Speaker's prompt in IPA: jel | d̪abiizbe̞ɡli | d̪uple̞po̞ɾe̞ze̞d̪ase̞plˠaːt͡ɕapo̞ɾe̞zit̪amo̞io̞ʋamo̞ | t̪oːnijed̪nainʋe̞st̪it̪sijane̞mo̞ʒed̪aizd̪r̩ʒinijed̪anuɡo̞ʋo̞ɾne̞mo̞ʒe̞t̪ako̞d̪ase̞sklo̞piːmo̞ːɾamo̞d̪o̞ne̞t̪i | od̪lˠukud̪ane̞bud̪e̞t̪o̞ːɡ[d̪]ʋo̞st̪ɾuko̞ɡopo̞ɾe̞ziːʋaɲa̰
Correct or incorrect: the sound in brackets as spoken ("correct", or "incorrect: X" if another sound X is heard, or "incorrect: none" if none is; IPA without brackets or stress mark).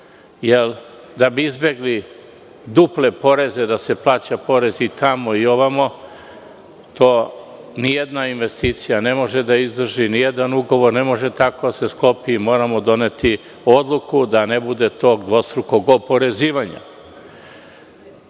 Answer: correct